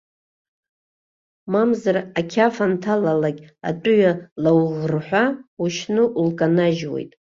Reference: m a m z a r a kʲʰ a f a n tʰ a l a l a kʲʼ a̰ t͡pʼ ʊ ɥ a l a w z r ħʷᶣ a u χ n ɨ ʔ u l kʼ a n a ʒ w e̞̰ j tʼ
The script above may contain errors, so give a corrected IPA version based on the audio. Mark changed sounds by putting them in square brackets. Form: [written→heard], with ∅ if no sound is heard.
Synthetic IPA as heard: m a m z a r a kʲʰ a f a n tʰ a l a l a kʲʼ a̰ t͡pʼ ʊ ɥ a l a w [z→ʁ] r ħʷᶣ a u [χ→ʃ] n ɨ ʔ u l kʼ a n a ʒ w e̞̰ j tʼ